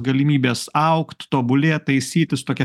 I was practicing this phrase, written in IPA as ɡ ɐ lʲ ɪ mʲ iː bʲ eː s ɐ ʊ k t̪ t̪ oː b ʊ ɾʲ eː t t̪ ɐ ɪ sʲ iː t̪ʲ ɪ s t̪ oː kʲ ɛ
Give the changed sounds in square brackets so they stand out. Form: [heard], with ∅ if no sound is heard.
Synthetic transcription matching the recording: ɡ ɐ lʲ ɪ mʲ iː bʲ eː s ɐ ʊ k t̪ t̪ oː b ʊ [lʲ] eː t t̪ ɐ ɪ sʲ iː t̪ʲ ɪ s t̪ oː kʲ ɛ